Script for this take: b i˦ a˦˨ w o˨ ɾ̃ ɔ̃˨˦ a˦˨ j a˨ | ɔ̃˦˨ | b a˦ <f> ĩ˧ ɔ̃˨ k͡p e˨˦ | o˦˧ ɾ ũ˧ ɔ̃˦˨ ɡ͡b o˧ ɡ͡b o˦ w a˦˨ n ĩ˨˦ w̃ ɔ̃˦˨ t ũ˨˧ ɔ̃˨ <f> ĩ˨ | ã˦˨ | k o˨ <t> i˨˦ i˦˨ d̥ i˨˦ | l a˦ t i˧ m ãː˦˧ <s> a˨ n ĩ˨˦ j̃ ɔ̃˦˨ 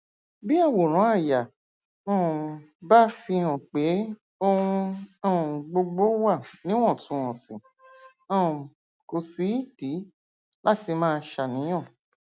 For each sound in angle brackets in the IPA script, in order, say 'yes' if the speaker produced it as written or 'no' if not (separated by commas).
yes, no, no, no